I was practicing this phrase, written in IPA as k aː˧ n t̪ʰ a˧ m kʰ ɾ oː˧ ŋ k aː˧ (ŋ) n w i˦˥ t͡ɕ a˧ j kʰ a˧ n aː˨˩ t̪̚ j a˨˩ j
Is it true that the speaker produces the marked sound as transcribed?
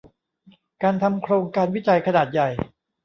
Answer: no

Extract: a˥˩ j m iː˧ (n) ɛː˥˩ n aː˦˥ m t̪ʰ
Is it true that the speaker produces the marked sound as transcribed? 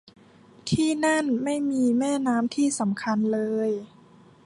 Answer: no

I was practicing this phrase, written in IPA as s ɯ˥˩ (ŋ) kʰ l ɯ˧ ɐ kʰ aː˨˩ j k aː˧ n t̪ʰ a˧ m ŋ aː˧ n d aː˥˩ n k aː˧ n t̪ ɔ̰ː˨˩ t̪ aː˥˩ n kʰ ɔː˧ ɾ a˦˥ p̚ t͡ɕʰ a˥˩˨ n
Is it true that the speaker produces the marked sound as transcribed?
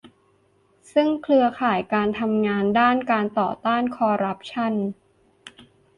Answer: yes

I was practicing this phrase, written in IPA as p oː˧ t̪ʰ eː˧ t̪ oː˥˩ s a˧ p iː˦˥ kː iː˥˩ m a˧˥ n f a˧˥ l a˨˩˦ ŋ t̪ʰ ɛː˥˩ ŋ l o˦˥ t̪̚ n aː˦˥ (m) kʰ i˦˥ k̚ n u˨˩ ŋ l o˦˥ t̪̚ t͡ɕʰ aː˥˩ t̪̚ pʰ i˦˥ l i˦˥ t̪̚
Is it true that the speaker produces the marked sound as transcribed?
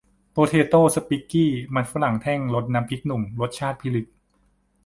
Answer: yes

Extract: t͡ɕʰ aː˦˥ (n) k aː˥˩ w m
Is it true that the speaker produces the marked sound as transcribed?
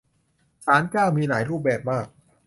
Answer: yes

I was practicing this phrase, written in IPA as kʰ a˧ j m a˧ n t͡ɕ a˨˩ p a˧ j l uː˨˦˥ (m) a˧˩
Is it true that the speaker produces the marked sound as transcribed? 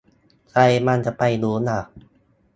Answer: no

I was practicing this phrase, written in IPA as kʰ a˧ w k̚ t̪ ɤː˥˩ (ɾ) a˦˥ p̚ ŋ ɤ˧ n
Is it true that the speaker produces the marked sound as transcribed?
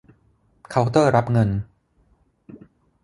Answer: yes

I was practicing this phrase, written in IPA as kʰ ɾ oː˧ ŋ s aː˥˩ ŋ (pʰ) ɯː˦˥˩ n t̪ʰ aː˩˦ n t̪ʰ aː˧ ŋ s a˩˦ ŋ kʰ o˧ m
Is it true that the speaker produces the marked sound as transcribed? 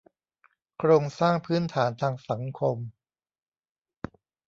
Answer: yes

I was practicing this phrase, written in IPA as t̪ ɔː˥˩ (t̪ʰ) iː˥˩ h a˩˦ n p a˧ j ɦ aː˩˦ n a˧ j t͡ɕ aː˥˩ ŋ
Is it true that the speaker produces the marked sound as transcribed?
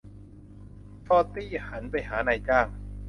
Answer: no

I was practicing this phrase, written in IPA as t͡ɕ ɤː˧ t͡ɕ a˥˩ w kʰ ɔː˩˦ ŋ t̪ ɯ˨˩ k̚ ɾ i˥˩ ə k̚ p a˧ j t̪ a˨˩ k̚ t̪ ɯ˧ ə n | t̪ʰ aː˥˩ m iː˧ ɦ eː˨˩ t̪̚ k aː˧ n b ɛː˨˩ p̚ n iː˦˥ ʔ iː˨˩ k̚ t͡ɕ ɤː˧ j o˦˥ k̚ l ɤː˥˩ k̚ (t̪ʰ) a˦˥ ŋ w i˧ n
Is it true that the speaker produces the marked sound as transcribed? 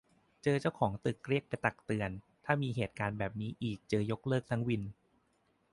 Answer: yes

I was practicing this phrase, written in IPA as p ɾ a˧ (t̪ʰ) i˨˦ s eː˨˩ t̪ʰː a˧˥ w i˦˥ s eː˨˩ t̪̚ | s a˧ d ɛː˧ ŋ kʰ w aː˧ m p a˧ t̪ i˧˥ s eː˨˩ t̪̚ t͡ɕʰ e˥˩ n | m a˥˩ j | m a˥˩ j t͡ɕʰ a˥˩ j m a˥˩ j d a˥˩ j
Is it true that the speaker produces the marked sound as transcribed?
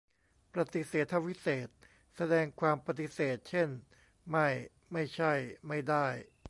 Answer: no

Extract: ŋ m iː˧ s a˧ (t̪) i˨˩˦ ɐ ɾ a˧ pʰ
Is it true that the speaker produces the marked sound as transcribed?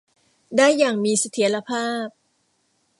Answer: no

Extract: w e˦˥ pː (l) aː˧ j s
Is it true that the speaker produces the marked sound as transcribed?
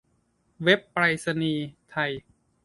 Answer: no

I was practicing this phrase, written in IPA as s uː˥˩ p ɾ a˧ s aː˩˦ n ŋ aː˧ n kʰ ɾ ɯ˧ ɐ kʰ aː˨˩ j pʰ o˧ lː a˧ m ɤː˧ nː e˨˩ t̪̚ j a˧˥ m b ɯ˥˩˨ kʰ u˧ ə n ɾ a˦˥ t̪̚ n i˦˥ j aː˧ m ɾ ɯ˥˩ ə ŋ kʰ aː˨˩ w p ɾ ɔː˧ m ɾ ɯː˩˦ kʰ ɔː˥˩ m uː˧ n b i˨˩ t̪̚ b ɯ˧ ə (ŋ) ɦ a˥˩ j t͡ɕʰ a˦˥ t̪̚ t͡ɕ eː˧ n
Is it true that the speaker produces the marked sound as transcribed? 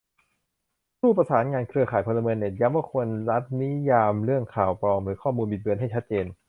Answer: no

